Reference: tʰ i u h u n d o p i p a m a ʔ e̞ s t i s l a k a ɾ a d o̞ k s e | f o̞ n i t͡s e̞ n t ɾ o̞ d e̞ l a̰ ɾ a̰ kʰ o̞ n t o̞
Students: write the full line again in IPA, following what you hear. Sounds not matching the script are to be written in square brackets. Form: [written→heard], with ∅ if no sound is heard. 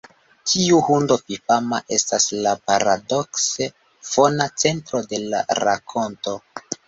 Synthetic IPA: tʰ i u h u n d o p i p a m a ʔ e̞ s t [i→a] s l a [k→p] a ɾ a d o̞ k s e | f o̞ n [i→a] t͡s e̞ n t ɾ o̞ d e̞ l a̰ ɾ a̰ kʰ o̞ n t o̞